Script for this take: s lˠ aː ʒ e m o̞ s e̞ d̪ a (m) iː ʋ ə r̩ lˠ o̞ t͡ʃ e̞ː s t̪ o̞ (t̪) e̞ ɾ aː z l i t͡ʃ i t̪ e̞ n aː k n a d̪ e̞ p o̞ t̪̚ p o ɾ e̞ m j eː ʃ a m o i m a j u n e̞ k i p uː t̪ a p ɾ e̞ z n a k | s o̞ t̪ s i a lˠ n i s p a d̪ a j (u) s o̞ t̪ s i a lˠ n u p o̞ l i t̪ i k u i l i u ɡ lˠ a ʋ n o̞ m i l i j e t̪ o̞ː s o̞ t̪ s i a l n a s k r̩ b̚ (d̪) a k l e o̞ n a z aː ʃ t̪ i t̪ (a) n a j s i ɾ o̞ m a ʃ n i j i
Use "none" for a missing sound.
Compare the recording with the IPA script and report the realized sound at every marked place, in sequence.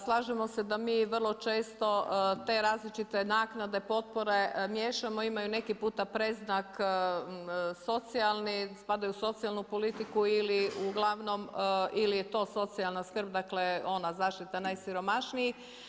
m, t̪, u, d̪, a

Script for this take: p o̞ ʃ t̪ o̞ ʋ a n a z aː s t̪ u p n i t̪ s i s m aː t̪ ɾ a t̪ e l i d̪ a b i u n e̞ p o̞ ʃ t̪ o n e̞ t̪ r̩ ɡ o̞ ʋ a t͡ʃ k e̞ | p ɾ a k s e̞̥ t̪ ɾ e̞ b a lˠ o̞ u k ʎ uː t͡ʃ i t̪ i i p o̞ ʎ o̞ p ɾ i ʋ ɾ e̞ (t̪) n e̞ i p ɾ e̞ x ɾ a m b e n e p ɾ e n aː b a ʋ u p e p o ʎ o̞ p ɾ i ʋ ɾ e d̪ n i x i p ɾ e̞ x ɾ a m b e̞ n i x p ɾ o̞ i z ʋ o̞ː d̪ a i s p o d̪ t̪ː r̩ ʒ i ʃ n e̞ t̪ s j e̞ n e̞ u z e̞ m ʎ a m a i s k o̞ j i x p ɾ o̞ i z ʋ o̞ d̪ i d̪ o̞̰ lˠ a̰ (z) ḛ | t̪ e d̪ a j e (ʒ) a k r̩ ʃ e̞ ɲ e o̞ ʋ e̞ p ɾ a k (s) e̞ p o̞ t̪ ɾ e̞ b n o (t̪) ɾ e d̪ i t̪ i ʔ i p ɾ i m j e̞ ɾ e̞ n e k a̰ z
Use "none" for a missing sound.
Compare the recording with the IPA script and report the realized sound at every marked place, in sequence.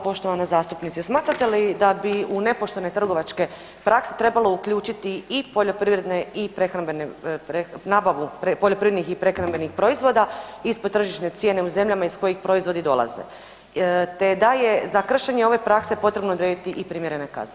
d̪, z, z, s, d̪

